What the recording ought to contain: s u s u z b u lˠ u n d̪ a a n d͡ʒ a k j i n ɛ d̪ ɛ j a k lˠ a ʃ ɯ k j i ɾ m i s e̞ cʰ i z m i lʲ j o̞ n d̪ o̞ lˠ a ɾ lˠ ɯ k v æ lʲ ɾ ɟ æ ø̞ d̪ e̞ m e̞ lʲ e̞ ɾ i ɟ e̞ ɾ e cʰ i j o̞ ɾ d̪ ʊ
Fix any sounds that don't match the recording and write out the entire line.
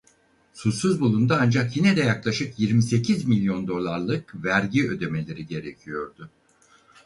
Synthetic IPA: s u s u z b u lˠ u n d̪ a a n d͡ʒ a k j i n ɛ d̪ ɛ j a k lˠ a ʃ ɯ k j i ɾ m i s e̞ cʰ i z m i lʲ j o̞ n d̪ o̞ lˠ a ɾ lˠ ɯ k v æ ɾ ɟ i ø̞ d̪ e̞ m e̞ lʲ e̞ ɾ i ɟ e̞ ɾ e cʰ i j o̞ ɾ d̪ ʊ